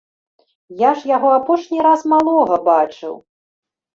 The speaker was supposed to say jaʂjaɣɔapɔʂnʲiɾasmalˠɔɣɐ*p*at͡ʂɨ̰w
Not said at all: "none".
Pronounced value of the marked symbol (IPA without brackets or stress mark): b